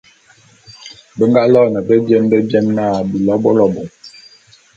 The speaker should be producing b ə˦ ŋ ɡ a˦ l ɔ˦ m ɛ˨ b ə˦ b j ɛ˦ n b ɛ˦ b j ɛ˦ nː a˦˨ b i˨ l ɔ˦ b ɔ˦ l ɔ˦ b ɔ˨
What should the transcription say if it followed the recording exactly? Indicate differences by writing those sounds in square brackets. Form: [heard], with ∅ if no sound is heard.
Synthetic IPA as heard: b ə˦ ŋ ɡ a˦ l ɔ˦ [n] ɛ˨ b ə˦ b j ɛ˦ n b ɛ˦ b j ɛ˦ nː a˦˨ b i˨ l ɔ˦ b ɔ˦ l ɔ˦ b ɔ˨